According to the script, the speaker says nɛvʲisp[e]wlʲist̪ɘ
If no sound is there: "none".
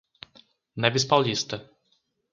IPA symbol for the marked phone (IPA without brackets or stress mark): a